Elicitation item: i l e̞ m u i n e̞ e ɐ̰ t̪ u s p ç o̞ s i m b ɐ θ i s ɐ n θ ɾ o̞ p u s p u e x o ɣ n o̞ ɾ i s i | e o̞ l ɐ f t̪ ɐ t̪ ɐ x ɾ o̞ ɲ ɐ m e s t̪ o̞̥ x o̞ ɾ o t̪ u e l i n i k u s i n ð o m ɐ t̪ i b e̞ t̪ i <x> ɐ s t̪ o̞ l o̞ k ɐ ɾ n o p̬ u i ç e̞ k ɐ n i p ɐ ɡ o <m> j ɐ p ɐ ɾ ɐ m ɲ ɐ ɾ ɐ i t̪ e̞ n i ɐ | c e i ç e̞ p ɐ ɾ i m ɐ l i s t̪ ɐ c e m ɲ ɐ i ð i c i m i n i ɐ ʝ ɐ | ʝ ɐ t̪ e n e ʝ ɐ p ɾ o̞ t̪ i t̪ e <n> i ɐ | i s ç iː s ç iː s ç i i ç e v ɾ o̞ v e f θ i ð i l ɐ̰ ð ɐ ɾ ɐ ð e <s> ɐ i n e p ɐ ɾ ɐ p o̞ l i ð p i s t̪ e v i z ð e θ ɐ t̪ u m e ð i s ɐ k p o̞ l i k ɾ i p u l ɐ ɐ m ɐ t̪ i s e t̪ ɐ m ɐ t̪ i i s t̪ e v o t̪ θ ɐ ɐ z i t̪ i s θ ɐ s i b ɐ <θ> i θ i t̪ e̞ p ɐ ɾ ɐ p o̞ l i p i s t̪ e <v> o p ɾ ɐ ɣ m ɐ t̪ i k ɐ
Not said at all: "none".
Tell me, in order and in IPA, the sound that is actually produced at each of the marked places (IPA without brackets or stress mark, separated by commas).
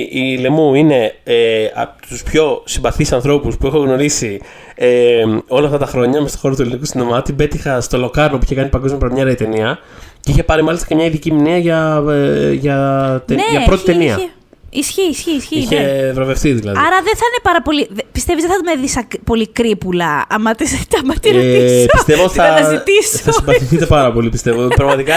x, m, n, θ, θ, v